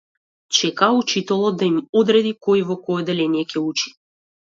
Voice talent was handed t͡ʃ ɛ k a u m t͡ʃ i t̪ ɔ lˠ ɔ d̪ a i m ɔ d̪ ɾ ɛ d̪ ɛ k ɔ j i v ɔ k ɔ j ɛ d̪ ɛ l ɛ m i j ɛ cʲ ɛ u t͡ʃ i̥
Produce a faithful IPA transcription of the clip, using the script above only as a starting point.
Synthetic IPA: t͡ʃ ɛ k a u t͡ʃ i t̪ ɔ lˠ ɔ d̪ a i m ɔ d̪ ɾ ɛ d̪ i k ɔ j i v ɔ k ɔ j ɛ d̪ ɛ l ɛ n i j ɛ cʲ ɛ u t͡ʃ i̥